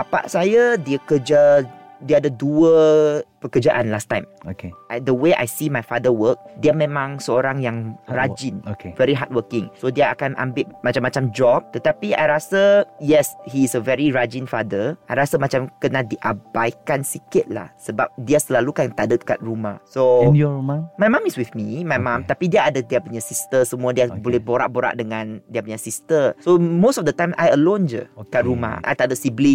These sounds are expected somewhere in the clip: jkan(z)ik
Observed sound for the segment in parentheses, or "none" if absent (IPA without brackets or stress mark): s